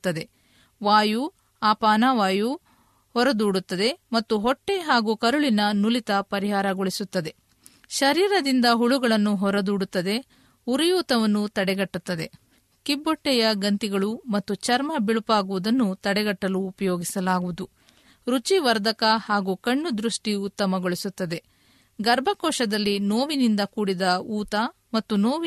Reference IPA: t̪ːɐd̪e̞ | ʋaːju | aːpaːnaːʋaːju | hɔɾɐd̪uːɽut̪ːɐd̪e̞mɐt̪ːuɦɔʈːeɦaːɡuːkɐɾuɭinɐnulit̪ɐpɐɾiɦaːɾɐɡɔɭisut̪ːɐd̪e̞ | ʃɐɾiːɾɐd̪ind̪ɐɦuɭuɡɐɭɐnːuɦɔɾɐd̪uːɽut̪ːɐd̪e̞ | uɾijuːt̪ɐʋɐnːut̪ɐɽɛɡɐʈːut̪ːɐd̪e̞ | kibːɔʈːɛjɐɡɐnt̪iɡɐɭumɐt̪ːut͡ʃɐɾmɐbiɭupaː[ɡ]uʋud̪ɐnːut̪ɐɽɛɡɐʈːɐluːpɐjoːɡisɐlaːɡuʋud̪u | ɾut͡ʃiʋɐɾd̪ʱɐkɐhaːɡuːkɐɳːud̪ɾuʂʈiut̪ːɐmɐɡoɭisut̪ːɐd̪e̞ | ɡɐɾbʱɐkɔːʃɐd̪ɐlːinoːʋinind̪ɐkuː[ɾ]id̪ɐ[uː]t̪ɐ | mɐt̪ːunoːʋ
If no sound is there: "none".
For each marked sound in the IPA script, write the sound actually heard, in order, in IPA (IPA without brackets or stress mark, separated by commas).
ɡ, ɽ, uː